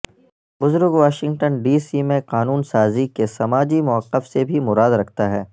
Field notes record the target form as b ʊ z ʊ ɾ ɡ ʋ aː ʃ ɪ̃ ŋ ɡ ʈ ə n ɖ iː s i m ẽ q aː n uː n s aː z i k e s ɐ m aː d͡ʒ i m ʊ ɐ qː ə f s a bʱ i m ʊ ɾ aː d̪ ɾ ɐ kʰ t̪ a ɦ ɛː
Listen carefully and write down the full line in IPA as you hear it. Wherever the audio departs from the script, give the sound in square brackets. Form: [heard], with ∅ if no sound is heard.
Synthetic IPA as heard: b ʊ z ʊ ɾ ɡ ʋ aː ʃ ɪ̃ ŋ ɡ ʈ ə n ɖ iː s i m ẽ q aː n uː n s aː z i k e s ɐ m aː d͡ʒ i m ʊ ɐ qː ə f s [e] bʱ i m ʊ ɾ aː d̪ ɾ ɐ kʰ t̪ a ɦ ɛː